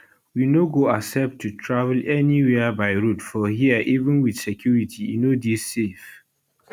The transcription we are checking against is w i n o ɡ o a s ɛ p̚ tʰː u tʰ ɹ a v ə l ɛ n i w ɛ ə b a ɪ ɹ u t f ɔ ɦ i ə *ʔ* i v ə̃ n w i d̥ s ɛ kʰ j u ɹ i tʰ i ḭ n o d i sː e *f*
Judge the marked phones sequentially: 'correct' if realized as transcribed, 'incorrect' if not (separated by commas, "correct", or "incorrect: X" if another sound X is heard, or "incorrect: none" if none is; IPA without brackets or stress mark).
correct, correct